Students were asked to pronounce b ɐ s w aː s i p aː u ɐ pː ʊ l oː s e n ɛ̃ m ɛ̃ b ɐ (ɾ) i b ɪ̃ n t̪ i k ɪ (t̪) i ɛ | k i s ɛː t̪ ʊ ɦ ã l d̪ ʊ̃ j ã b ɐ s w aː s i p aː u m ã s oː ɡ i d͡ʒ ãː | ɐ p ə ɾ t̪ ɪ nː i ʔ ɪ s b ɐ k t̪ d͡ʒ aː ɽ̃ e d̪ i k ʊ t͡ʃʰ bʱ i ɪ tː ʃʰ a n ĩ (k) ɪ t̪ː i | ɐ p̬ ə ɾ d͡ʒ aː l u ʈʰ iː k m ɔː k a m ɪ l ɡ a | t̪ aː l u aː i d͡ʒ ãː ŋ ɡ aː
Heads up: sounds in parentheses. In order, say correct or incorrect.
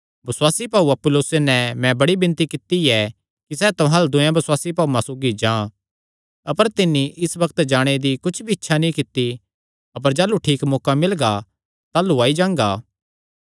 incorrect: ɽ, correct, correct

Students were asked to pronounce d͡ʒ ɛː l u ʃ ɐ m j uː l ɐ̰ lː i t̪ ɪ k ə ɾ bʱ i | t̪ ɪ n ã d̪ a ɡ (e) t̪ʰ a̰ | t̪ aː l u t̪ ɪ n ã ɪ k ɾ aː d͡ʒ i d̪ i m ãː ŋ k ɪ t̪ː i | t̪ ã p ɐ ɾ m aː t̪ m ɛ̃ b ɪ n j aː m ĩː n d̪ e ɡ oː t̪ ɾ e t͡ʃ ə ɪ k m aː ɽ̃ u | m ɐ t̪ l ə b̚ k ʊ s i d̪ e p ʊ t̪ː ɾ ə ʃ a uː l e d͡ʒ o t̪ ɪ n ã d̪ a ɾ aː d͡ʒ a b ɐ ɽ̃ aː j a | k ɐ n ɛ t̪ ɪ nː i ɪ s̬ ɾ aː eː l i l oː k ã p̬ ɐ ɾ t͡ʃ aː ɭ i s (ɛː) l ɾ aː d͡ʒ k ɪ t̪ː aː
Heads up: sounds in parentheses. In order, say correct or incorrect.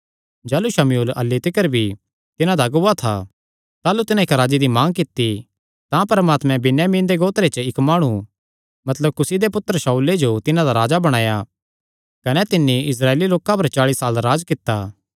incorrect: a, incorrect: aː

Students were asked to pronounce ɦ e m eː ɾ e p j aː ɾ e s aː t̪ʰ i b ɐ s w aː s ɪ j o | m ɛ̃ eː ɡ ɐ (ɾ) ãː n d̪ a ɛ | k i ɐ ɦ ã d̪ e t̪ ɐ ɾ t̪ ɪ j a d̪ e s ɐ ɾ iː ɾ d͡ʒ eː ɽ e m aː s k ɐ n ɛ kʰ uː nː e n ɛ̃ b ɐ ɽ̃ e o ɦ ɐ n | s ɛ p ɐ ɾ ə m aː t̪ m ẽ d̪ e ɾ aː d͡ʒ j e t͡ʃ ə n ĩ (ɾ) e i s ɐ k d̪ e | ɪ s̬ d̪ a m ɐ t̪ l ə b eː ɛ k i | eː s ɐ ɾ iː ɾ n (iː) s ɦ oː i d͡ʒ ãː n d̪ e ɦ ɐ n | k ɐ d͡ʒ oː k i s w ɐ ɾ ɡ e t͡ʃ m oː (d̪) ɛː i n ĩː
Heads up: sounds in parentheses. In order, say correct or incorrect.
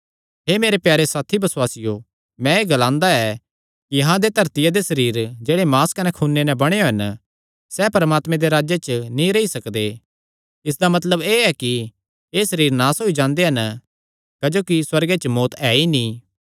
incorrect: l, correct, incorrect: aː, incorrect: t̪

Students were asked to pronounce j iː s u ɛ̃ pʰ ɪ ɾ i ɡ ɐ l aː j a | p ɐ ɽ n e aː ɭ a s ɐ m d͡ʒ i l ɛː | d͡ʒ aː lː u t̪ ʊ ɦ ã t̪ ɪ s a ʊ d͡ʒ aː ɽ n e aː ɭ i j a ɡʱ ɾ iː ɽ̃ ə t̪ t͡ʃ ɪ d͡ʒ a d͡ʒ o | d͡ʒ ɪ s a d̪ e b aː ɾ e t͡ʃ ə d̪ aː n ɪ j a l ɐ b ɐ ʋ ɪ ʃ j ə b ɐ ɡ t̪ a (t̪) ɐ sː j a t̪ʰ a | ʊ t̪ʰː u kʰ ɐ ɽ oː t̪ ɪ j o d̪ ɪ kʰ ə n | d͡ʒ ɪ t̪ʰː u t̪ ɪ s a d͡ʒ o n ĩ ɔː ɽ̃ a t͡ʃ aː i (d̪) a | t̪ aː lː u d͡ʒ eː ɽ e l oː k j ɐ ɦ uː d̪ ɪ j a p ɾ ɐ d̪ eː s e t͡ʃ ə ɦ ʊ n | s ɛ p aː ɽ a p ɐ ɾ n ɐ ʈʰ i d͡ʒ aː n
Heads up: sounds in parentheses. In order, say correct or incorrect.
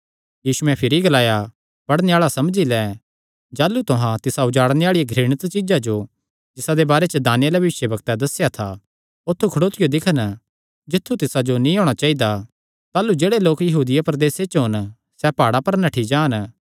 incorrect: d̪, correct

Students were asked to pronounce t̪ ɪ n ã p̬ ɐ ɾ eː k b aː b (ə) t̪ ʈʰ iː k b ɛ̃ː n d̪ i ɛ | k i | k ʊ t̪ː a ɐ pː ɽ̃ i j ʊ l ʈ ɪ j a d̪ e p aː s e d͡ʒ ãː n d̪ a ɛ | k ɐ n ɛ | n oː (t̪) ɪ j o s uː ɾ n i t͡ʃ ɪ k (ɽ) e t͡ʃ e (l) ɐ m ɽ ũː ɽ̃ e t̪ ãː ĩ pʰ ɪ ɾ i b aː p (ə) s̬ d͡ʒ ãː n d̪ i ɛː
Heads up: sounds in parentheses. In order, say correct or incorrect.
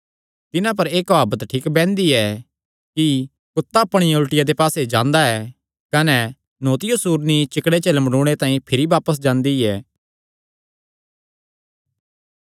correct, correct, correct, correct, correct

